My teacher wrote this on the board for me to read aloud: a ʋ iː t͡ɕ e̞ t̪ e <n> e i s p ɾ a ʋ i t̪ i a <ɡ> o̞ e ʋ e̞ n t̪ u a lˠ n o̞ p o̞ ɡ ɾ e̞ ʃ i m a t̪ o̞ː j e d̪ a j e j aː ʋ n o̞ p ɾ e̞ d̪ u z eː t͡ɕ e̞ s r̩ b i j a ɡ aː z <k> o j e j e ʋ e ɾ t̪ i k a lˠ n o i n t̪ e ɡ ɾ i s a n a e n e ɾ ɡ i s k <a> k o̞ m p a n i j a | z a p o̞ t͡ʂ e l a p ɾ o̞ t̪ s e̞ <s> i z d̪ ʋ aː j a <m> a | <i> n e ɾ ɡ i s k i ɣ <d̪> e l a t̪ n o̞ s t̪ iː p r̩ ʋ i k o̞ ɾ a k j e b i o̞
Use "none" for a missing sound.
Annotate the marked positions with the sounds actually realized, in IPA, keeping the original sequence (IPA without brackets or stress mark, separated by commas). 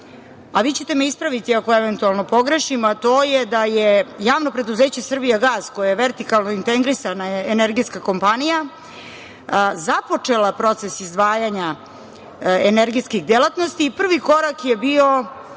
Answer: m, k, k, a, s, ɲ, e, d̪